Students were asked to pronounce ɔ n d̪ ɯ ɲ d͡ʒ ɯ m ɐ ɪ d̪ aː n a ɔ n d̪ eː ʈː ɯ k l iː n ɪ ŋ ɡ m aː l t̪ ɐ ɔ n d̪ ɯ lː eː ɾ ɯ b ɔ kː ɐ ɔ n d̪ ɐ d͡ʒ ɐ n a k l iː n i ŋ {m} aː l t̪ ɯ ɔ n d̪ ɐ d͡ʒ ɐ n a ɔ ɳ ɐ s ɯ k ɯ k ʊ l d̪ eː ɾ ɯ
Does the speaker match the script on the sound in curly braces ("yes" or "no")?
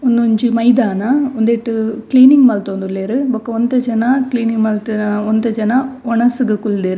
yes